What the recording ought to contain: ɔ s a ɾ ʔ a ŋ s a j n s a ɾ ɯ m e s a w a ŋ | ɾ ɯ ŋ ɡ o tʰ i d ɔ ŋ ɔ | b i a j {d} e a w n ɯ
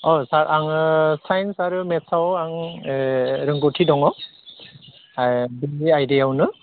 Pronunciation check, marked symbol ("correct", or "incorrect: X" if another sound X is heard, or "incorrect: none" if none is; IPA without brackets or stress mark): correct